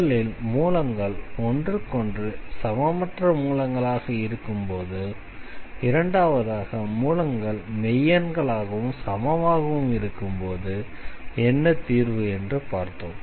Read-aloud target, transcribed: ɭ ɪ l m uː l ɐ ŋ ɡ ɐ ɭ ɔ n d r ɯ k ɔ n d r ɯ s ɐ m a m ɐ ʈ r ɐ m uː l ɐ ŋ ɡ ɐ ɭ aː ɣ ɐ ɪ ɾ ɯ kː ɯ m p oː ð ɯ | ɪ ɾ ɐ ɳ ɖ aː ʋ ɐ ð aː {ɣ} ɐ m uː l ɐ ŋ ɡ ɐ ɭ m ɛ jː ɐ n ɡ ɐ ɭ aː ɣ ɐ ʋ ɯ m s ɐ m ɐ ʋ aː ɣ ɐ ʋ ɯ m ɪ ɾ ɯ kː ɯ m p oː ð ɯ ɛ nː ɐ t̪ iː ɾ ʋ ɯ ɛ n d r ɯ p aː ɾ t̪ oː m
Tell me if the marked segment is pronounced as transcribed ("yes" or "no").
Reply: yes